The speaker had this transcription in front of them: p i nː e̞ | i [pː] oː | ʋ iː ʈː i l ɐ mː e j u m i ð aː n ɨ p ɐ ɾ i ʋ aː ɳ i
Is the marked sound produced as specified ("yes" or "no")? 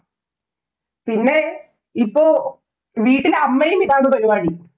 yes